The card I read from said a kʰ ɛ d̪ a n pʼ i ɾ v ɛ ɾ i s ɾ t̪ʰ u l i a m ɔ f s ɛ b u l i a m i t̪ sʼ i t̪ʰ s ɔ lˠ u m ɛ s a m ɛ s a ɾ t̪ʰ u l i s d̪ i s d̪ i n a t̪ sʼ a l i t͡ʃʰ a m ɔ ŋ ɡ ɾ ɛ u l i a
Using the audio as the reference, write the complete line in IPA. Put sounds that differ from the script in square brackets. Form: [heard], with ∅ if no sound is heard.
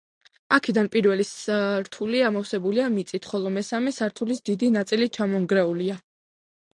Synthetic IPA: a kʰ ɛ d̪ a n pʼ i ɾ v ɛ [l] i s ɾ t̪ʰ u l i a m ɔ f s ɛ b u l i a m i t̪ sʼ i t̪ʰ [χ] ɔ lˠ [ɔ] m ɛ s a m ɛ s a ɾ t̪ʰ u l i s d̪ i [∅] d̪ i n a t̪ sʼ [i] l i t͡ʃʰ a m ɔ ŋ ɡ ɾ ɛ u l i a